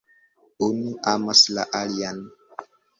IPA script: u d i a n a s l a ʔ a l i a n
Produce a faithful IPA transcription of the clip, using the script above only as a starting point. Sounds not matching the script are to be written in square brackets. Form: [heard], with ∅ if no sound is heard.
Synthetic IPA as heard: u [n] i a [m] a s l a ʔ a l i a n